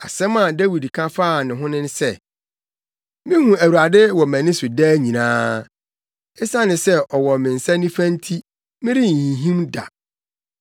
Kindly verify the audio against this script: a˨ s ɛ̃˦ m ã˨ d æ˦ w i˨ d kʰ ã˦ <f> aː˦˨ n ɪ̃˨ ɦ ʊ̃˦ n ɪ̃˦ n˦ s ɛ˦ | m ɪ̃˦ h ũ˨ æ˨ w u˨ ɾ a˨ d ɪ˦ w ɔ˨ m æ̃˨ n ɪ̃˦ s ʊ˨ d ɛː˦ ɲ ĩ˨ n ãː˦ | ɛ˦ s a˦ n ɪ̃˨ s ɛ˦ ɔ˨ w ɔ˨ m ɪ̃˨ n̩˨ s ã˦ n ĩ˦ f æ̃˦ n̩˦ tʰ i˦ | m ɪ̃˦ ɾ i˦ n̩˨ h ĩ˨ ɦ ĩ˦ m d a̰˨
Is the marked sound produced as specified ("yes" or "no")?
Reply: yes